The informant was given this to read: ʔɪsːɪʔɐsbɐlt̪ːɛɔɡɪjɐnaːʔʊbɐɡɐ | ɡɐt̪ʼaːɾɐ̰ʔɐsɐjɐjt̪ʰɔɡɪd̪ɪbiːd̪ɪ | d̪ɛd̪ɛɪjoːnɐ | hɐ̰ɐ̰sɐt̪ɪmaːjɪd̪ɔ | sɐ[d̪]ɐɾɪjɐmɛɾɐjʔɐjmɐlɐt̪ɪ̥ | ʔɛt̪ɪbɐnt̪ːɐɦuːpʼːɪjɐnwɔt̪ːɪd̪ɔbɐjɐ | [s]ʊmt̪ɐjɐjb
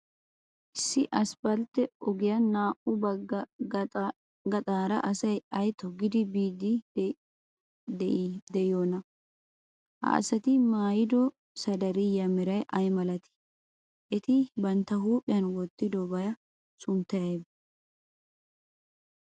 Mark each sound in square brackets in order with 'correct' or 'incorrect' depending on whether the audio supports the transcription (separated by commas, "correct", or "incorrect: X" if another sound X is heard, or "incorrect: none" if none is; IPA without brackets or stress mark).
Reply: correct, correct